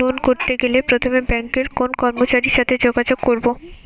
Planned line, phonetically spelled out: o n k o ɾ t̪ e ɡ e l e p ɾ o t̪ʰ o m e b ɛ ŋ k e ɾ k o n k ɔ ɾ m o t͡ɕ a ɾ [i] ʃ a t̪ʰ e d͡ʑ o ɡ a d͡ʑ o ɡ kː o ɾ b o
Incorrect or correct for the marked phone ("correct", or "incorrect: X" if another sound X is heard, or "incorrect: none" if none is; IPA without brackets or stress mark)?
correct